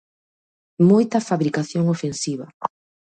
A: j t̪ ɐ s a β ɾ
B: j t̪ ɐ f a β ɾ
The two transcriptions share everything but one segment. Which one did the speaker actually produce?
B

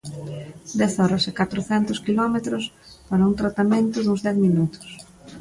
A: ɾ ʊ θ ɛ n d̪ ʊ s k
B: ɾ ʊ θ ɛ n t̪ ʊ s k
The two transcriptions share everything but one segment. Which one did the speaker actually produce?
B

